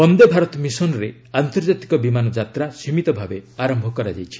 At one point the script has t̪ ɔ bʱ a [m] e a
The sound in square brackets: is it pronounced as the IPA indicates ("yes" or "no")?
no